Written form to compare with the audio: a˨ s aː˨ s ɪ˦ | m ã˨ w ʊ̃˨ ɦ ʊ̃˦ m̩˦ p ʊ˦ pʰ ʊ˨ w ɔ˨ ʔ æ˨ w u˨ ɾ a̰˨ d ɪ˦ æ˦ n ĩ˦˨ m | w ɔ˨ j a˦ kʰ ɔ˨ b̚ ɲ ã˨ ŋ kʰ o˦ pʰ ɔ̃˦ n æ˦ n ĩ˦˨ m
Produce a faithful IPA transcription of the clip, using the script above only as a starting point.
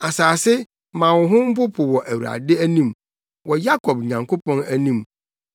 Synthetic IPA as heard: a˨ s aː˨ s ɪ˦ | m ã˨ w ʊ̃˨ ɦ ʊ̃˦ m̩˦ p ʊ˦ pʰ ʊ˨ w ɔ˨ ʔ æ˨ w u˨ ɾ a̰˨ d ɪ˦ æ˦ n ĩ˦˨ m | w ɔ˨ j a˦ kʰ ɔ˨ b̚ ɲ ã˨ ŋ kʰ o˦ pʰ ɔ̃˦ n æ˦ n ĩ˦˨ m